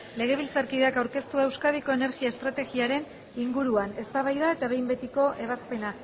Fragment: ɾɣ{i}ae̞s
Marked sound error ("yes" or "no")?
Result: no